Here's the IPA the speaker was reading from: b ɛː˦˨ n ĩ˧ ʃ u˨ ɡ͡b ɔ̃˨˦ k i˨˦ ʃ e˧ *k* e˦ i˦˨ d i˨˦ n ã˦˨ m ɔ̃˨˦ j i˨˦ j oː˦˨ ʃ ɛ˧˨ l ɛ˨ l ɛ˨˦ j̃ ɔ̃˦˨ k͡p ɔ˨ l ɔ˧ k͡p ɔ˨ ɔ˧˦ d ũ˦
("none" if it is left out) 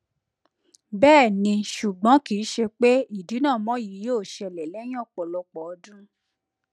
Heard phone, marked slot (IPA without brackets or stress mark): k͡p